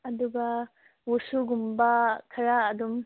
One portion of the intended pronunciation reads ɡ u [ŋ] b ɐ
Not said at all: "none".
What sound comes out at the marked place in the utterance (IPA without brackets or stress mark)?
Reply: m